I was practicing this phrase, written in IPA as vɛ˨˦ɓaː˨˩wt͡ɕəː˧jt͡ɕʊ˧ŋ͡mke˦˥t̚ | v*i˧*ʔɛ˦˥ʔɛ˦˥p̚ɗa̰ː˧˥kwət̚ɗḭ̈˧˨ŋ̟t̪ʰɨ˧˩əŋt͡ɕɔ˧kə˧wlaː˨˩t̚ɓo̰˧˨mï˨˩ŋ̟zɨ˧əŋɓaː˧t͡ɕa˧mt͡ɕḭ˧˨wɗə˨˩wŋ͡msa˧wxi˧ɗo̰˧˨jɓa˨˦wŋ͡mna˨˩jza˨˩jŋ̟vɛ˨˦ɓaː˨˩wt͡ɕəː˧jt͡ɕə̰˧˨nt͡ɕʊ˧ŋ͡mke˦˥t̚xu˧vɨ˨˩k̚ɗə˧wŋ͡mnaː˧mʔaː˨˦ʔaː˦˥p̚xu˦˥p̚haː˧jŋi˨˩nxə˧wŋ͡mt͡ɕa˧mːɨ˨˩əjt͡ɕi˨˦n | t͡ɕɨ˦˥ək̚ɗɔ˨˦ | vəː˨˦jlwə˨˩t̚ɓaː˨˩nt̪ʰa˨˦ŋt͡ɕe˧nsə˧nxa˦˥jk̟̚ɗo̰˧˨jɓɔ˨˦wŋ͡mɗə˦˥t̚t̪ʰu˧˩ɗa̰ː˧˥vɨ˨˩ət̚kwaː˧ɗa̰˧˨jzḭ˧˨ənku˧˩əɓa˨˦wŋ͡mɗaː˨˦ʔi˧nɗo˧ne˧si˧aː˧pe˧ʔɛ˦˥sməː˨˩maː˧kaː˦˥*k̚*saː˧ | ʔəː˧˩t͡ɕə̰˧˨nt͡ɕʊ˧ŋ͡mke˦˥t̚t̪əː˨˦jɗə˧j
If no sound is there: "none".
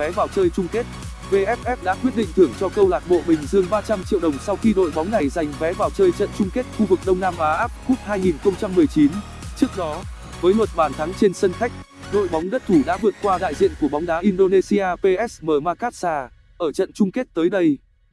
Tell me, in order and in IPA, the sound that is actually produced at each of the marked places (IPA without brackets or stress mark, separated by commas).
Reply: e˧, t̚